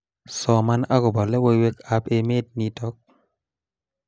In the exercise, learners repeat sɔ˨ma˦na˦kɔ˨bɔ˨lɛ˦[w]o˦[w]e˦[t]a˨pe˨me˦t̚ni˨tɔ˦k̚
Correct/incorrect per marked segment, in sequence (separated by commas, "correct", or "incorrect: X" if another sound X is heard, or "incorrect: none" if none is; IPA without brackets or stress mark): correct, correct, incorrect: k